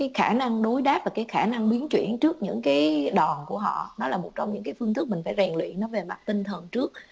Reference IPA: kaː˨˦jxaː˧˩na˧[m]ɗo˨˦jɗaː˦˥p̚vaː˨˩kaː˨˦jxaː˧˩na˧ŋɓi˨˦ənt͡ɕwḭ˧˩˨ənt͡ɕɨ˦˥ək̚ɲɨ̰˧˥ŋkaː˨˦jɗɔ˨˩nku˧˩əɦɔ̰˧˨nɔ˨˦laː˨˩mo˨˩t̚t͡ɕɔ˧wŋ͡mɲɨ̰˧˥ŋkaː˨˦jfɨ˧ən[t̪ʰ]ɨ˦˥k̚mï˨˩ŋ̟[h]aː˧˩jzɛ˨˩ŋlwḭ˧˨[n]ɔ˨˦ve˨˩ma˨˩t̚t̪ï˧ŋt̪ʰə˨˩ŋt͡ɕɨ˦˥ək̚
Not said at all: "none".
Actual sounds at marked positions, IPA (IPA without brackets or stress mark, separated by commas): ŋ, t̪, f, n